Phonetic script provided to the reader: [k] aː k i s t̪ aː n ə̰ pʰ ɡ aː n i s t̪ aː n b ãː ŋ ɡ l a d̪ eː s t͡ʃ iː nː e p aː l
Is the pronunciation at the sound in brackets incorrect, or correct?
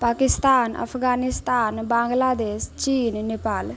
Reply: incorrect